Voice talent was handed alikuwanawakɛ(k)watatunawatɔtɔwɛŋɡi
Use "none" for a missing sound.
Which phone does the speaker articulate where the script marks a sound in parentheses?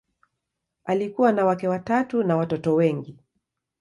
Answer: none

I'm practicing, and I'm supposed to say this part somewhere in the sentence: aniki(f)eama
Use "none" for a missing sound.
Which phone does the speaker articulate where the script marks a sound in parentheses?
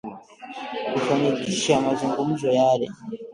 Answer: ʃ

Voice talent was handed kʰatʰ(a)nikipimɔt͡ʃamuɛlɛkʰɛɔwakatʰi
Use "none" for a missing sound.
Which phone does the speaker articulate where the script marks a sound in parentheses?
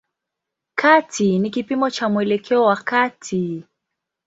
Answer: i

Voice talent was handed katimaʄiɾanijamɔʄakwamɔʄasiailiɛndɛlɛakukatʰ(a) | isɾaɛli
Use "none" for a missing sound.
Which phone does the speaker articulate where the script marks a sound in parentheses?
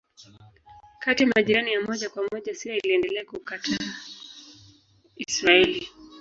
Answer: a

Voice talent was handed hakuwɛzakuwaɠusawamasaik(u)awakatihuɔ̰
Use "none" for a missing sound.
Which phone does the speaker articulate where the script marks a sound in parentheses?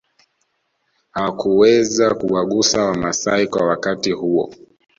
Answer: w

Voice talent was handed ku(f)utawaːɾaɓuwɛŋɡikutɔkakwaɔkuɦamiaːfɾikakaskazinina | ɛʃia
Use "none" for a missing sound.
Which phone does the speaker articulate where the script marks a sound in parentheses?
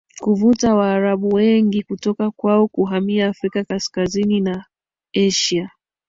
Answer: v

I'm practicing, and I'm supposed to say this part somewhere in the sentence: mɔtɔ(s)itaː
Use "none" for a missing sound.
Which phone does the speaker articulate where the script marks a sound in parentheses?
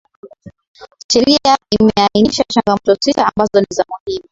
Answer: s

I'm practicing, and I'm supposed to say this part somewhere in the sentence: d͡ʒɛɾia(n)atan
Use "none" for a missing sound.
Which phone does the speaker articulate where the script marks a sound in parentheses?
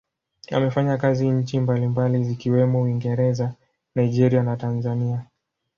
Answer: n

